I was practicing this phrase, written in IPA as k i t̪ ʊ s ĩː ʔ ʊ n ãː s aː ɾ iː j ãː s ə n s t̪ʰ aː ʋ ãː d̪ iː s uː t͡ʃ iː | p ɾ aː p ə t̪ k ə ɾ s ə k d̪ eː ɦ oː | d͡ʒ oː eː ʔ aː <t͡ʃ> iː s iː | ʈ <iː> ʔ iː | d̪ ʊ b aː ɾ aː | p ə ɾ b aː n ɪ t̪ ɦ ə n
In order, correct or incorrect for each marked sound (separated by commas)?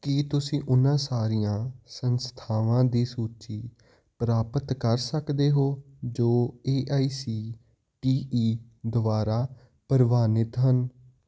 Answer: incorrect, correct